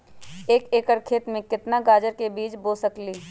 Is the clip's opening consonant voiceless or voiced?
voiceless